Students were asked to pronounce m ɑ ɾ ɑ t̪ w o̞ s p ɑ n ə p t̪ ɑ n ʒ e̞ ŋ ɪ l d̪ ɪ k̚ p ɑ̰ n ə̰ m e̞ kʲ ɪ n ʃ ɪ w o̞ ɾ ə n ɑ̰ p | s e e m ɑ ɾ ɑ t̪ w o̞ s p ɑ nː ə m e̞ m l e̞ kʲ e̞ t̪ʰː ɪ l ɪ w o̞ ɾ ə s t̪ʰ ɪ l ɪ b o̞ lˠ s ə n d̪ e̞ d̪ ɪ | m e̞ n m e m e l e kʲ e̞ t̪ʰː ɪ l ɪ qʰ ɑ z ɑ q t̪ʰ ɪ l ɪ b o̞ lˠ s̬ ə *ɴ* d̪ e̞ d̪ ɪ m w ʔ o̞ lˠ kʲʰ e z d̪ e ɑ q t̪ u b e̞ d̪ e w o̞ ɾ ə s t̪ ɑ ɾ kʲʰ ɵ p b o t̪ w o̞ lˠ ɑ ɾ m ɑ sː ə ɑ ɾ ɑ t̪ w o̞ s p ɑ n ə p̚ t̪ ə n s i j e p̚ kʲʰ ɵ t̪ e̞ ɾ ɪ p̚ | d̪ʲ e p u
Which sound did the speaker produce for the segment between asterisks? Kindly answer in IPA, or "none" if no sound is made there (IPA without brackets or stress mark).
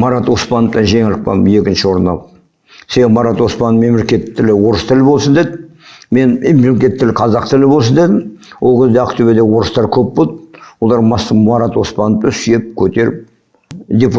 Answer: n